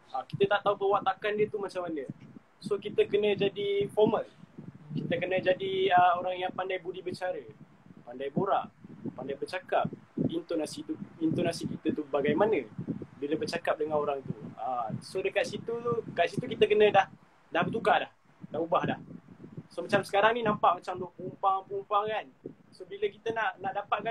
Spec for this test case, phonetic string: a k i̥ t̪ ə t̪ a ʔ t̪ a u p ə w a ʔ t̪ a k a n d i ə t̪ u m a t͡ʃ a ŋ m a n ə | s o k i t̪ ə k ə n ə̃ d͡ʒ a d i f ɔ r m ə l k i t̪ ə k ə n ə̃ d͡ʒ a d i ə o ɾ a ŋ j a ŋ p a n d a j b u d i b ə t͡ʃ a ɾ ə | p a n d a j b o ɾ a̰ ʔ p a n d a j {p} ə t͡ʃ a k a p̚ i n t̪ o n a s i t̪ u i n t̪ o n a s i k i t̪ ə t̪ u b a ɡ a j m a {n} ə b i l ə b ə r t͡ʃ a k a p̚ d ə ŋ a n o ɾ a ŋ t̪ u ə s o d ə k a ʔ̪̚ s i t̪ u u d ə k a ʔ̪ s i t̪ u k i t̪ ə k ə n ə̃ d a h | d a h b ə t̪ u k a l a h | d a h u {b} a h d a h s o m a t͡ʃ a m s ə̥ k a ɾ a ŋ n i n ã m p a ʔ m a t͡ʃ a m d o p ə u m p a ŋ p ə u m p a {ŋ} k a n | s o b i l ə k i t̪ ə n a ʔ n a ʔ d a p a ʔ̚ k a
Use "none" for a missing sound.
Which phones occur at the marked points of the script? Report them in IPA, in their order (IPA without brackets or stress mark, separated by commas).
b, n, b, ŋ